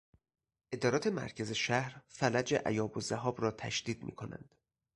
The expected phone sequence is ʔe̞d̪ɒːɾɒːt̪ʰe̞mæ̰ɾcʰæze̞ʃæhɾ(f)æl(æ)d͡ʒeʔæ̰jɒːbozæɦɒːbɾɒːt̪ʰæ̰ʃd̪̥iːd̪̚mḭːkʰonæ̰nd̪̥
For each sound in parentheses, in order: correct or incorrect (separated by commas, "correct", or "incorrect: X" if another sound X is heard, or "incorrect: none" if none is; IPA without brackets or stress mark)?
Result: correct, correct